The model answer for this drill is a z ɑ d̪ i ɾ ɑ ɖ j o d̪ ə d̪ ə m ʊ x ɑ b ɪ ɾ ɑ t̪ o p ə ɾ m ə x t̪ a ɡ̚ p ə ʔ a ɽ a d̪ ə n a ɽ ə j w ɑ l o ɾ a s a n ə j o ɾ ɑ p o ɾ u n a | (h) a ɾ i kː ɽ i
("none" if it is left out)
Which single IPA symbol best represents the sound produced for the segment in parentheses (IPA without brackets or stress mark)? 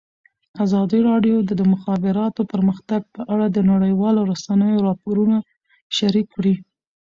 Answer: ʃ